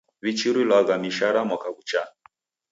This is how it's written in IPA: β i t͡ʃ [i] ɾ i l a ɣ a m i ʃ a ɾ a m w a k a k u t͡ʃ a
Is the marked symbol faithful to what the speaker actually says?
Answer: yes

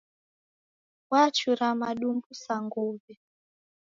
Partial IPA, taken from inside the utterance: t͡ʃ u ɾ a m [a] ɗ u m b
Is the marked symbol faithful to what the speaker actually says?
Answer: yes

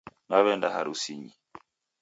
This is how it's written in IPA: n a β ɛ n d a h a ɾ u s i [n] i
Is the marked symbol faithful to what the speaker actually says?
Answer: no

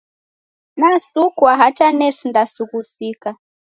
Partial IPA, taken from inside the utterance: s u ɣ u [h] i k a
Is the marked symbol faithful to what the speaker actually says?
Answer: no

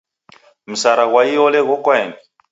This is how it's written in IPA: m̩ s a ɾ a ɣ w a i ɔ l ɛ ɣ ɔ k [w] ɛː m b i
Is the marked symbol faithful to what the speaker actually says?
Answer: yes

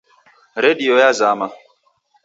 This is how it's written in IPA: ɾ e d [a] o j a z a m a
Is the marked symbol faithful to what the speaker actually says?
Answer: no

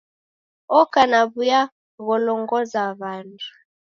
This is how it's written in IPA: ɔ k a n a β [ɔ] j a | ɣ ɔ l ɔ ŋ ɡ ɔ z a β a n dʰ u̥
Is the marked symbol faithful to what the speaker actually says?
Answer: no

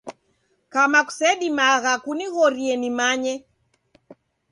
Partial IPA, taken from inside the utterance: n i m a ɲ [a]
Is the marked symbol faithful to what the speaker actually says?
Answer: no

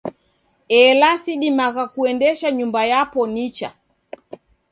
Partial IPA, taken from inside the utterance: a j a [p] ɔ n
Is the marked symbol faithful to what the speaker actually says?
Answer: yes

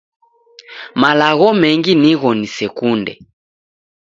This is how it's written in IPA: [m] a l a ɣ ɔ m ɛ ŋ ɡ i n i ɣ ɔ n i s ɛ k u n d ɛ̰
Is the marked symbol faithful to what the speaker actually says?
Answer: yes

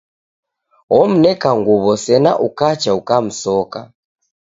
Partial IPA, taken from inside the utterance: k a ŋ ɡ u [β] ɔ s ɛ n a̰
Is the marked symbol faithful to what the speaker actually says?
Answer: yes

